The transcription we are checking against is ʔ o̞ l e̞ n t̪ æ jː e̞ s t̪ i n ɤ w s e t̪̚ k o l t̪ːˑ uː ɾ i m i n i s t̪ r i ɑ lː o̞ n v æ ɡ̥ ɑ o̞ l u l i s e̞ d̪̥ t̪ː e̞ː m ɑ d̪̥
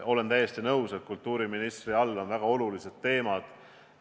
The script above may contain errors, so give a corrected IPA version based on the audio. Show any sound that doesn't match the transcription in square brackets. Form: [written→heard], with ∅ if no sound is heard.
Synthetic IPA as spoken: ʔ o̞ l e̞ n t̪ æ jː e̞ s t̪ i n ɤ w s e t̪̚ k [o→u] l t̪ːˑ uː ɾ i m i n i s t̪ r i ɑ lː o̞ n v æ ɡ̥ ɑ o̞ l u l i s e̞ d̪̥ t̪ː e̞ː m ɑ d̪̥